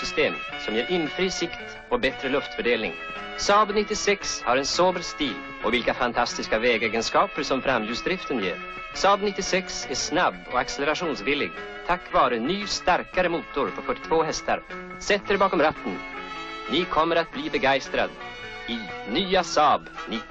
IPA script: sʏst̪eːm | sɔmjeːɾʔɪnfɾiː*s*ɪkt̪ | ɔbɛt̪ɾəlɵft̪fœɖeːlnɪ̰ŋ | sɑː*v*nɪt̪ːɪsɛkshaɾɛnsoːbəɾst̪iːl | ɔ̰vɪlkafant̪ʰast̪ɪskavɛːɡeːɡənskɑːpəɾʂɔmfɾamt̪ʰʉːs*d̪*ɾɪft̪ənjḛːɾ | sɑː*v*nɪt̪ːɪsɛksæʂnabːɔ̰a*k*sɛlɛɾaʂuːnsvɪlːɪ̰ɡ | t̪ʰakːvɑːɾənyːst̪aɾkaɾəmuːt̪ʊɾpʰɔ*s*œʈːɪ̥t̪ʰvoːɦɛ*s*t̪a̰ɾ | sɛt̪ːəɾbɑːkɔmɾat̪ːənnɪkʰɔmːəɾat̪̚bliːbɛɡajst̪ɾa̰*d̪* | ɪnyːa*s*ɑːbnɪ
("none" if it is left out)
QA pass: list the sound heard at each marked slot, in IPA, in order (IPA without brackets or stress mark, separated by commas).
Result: s, b, d̪, b, k, f, s, d̪, s